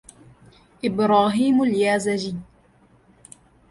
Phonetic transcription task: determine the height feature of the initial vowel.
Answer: high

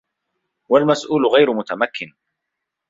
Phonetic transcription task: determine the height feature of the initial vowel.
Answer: low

